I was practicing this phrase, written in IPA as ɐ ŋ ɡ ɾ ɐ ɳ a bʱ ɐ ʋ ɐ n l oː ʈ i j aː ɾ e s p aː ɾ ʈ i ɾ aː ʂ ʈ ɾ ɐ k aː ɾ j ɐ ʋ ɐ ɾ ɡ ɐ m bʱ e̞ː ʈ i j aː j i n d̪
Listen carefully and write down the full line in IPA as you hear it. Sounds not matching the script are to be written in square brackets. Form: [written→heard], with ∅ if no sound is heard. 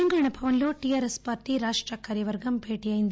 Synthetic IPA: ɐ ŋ ɡ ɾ ɐ ɳ [a→ɐ] bʱ ɐ ʋ ɐ n l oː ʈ i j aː ɾ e s p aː ɾ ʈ i ɾ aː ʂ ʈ ɾ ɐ k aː ɾ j ɐ ʋ ɐ ɾ ɡ ɐ m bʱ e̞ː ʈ i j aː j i n d̪

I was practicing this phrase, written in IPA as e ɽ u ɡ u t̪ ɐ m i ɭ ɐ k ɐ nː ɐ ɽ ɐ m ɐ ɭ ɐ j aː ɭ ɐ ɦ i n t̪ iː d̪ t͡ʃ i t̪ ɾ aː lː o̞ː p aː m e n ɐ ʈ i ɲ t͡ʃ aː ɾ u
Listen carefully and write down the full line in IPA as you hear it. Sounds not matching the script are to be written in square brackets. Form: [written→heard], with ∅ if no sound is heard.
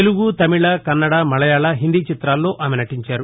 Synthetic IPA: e [ɽ→l] u ɡ u t̪ ɐ m i ɭ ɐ k ɐ nː ɐ ɽ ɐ m ɐ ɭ ɐ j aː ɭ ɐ ɦ i n [t̪→d̪] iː [d̪→∅] t͡ʃ i t̪ ɾ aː lː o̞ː [p→ʔ] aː m e n ɐ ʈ i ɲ t͡ʃ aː ɾ u

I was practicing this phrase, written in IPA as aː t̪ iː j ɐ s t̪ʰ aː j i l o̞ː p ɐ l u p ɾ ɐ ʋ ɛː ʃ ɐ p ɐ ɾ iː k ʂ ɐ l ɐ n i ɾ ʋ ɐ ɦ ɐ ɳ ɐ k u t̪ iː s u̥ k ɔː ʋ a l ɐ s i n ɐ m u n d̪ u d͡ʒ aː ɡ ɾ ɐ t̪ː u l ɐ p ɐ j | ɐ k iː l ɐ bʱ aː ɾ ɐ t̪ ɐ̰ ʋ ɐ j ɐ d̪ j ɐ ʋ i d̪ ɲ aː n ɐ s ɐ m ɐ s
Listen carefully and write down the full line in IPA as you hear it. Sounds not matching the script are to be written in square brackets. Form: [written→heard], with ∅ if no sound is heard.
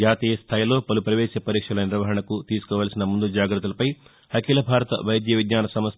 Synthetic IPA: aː t̪ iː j ɐ s t̪ʰ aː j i l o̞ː p ɐ l u p ɾ ɐ ʋ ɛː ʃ ɐ p ɐ ɾ iː k ʂ ɐ l ɐ n i ɾ ʋ ɐ ɦ ɐ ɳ ɐ k u t̪ iː s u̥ k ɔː ʋ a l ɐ s i n ɐ m u n d̪ u d͡ʒ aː ɡ ɾ ɐ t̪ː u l ɐ p ɐ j | ɐ k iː l ɐ bʱ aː ɾ ɐ t̪ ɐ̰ ʋ ɐ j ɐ d̪ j ɐ ʋ i d̪ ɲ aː n ɐ s ɐ m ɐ s

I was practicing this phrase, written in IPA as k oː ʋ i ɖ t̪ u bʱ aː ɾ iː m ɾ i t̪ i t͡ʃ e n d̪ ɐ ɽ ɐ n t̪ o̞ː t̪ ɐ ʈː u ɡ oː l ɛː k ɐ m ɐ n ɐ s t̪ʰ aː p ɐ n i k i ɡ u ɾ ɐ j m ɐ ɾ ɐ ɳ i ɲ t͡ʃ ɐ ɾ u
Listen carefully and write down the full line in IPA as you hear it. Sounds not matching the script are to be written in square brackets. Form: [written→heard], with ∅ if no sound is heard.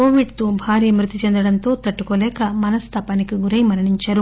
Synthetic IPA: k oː ʋ i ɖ t̪ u bʱ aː ɾ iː m ɾ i t̪ i t͡ʃ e n d̪ ɐ ɽ ɐ n t̪ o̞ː t̪ ɐ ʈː u [ɡ→k] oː l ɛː k ɐ m ɐ n ɐ s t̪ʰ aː p ɐ n i k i ɡ u ɾ ɐ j m ɐ ɾ ɐ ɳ i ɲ t͡ʃ ɐ ɾ u

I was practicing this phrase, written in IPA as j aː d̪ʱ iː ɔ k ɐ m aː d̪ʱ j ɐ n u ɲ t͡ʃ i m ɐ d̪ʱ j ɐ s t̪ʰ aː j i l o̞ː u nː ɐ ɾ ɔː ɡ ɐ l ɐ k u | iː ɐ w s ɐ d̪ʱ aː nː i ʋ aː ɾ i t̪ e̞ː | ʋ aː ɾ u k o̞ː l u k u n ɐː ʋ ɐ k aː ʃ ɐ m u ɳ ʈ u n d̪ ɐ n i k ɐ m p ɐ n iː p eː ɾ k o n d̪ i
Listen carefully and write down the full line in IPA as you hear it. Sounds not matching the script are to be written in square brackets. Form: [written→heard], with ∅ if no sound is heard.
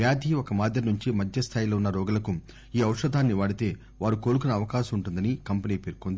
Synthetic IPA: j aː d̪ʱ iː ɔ k ɐ m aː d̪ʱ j ɐ n u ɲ t͡ʃ i m ɐ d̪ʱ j ɐ s t̪ʰ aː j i l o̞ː u nː ɐ ɾ ɔː ɡ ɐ l ɐ k u | iː ɐ w [s→ʂ] ɐ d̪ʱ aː nː i ʋ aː [ɾ→ɽ] i t̪ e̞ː | ʋ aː ɾ u k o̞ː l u k u n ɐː ʋ ɐ k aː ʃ ɐ m u ɳ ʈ u n d̪ ɐ n i k ɐ m p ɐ n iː p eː ɾ k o n d̪ i

